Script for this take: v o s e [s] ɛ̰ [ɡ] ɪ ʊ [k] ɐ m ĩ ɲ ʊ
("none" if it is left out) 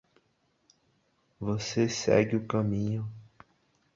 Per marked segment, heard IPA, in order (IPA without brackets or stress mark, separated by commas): s, ɡ, k